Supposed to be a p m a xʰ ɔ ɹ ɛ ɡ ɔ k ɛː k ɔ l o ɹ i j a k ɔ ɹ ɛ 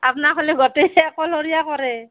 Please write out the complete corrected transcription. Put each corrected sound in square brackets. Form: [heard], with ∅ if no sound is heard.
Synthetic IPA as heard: a p [n] a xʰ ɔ [l] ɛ ɡ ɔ [t] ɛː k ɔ l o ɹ i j a k ɔ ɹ ɛ